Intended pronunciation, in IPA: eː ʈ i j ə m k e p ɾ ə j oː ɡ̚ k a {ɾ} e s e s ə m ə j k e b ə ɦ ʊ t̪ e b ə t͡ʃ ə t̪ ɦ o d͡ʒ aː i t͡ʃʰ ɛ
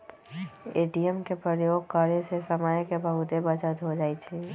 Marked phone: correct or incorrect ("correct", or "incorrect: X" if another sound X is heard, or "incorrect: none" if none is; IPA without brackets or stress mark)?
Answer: correct